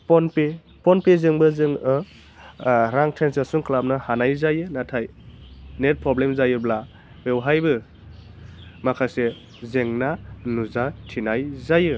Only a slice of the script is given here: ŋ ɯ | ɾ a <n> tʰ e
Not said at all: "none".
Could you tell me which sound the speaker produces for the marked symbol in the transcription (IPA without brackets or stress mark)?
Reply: ŋ